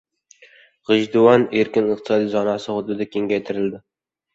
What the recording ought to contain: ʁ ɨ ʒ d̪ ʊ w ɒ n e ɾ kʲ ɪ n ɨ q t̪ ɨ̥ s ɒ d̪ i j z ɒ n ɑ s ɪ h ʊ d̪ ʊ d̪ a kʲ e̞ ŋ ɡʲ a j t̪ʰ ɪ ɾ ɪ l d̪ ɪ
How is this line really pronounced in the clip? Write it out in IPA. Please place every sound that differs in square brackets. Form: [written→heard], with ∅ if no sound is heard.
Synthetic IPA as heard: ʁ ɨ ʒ d̪ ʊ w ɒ n e ɾ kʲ ɪ n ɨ q t̪ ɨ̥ s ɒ d̪ i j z ɒ n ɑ s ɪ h ʊ d̪ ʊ d̪ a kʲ e̞ ŋ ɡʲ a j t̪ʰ ɪ ɾ ɪ l d̪ ɪ